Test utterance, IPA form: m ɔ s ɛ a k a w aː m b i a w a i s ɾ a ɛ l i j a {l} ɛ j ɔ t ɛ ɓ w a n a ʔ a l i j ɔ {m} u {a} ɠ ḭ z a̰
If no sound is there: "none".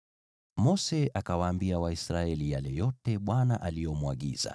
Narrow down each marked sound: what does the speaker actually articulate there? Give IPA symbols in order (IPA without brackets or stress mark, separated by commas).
l, m, a